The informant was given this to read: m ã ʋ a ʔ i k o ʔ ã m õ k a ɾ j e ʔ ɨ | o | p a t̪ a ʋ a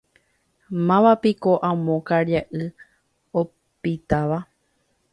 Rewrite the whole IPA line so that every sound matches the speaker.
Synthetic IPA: m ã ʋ a p i k o ʔ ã m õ k a ɾ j a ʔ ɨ | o | p i t̪ a ʋ a